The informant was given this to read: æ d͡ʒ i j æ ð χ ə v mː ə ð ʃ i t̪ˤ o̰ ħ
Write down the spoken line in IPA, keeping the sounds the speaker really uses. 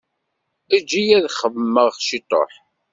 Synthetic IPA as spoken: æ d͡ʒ i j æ ð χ ə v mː ə ʁ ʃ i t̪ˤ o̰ ħ